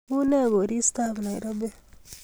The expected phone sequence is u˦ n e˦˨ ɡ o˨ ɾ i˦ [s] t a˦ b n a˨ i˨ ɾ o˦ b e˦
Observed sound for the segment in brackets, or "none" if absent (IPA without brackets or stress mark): s